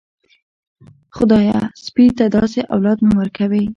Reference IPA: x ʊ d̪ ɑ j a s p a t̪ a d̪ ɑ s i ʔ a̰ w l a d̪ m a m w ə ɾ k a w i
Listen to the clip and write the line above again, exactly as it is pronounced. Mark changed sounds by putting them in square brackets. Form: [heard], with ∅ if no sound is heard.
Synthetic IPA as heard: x ʊ d̪ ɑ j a s p [i] t̪ a d̪ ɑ s [e] ʔ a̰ w l [ɑ] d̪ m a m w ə ɾ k a w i